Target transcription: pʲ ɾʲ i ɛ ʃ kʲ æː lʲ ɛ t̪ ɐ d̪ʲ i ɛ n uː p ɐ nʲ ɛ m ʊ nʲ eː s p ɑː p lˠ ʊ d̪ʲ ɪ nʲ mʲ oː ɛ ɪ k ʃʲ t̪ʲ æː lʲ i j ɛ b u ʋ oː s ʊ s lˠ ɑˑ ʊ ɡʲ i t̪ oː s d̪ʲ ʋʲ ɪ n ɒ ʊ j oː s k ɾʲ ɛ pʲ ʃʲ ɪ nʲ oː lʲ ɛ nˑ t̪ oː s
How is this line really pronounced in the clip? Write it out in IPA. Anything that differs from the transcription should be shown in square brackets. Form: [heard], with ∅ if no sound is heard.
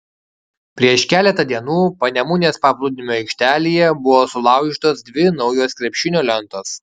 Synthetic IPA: pʲ ɾʲ i ɛ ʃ kʲ æː lʲ ɛ t̪ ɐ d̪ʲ i ɛ n uː p ɐ nʲ ɛ m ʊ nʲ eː s p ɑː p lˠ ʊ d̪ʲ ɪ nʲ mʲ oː ɛ ɪ k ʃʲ t̪ʲ æː lʲ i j ɛ b [ʊ] ʋ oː s ʊ [∅] lˠ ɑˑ ʊ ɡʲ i t̪ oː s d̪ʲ ʋʲ ɪ n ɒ ʊ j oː s k ɾʲ ɛ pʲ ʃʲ ɪ nʲ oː lʲ ɛ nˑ t̪ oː s